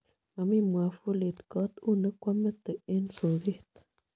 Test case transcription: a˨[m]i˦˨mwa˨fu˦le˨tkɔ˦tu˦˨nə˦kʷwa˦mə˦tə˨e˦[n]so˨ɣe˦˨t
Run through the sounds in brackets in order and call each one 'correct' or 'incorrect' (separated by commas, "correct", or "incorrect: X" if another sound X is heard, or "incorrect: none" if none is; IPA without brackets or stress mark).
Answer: correct, correct